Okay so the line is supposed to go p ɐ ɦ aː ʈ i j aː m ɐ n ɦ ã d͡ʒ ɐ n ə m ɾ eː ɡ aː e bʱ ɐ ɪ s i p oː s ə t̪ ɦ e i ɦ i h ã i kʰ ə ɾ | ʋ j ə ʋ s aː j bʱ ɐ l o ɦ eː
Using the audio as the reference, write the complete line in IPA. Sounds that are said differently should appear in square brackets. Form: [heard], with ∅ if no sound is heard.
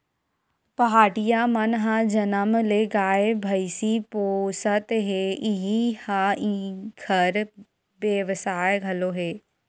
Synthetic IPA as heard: p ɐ ɦ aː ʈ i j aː m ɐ n ɦ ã d͡ʒ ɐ n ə m [l] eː ɡ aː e bʱ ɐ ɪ s i p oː s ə t̪ ɦ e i ɦ i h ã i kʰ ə ɾ | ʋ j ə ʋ s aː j [ɡʱ] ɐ l o ɦ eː